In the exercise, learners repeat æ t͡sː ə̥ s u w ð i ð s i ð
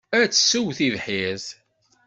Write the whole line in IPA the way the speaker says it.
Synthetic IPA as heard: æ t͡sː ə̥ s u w θ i ð ħ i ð